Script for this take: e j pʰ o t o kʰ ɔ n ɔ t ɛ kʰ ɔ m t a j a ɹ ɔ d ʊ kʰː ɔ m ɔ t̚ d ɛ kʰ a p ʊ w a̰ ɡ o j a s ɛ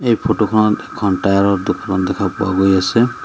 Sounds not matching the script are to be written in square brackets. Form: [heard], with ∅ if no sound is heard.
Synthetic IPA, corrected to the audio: e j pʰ o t o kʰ ɔ n ɔ t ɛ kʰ ɔ [n] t a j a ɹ ɔ d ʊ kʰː ɔ [n] ɔ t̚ d ɛ kʰ a p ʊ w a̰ ɡ o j a s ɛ

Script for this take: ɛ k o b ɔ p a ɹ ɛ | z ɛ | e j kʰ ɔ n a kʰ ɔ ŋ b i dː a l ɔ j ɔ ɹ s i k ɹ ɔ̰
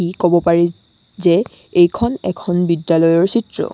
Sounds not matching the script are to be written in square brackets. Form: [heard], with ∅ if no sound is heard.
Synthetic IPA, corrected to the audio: [i] k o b ɔ p a ɹ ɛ | z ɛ | e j kʰ ɔ n [ɛ] kʰ ɔ [n] b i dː a l ɔ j ɔ ɹ s i [t] ɹ ɔ̰

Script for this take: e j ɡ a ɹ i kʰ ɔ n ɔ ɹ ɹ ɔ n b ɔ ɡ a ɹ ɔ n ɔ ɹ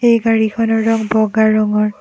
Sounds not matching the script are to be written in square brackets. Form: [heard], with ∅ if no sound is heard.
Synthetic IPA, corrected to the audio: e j ɡ a ɹ i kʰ ɔ n ɔ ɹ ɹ ɔ [ŋ] b ɔ ɡ a ɹ ɔ [ŋ] ɔ ɹ

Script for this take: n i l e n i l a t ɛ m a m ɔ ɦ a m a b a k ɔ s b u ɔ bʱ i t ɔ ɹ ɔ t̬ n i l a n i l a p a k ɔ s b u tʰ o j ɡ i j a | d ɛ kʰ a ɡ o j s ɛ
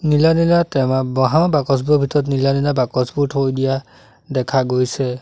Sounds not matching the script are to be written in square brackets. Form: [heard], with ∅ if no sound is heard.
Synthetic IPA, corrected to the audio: n i l [a] n i l a t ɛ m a [b] ɔ ɦ a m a b a k ɔ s b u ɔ bʱ i t ɔ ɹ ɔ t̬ n i l a n i l a [b] a k ɔ s b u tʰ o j [d] i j a | d ɛ kʰ a ɡ o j s ɛ

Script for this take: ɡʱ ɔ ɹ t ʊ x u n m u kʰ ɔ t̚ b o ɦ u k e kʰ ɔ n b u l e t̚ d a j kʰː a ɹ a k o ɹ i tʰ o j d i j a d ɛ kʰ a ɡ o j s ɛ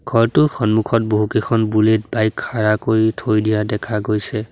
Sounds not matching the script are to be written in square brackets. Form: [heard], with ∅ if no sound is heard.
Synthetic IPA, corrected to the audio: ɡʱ ɔ ɹ t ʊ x [ɔ] n m u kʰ ɔ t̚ b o ɦ u k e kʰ ɔ n b u l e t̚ [b] a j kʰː a ɹ a k o ɹ i tʰ o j d i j a d ɛ kʰ a ɡ o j s ɛ

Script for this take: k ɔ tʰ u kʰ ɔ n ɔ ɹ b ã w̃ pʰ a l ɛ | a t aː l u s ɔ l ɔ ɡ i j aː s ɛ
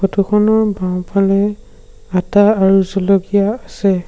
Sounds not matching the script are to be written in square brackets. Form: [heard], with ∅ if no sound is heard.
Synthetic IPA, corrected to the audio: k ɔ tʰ u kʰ ɔ n ɔ ɹ b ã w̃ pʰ a l ɛ | a t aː [ɹ] u [z] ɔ l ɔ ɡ i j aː s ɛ

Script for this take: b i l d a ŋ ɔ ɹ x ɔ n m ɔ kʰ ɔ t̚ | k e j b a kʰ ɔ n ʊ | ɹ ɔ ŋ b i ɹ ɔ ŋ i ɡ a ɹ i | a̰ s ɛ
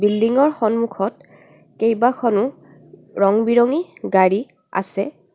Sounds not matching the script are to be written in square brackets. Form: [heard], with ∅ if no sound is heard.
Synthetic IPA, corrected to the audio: b i l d [i] ŋ ɔ ɹ x ɔ n m [u] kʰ ɔ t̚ | k e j b a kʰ ɔ n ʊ | ɹ ɔ ŋ b i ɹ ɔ ŋ i ɡ a ɹ i | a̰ s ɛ

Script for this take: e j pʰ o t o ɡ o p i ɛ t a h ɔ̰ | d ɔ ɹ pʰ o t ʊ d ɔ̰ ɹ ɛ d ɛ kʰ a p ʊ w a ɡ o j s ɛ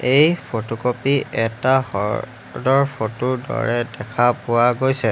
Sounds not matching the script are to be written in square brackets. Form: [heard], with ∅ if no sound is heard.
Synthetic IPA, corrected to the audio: e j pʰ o t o [k] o p i ɛ t a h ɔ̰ | d ɔ ɹ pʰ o t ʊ d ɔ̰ ɹ ɛ d ɛ kʰ a p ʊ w a ɡ o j s ɛ

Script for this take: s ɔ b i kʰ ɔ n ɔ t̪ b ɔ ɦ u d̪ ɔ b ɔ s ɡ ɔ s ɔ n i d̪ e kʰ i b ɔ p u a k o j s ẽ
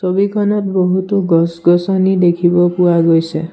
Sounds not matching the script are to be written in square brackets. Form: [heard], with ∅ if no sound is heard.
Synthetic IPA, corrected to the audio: s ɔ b i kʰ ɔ n ɔ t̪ b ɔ ɦ u [t̪] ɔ [ɡ] ɔ s ɡ ɔ s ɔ n i d̪ e kʰ i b ɔ p u a [ɡ] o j s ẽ

